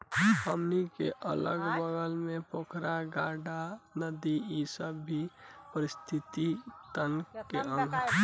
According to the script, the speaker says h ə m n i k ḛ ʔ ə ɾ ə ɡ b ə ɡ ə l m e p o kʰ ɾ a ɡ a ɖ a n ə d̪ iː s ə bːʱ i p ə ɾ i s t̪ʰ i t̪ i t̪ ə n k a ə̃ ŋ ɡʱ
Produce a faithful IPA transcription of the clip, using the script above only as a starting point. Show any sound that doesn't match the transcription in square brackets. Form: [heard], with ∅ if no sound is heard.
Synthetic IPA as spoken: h ə m n i k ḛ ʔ ə [l] ə ɡ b ə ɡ ə l m e p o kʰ ɾ a ɡ a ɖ a n ə d̪ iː s ə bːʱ i p ə ɾ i s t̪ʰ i t̪ i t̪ ə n k [e] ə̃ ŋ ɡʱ